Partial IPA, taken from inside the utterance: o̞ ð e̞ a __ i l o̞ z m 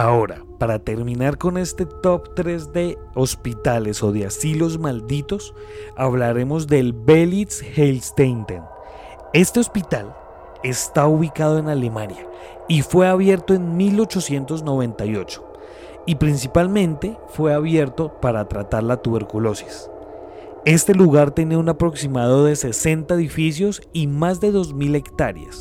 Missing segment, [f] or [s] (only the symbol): s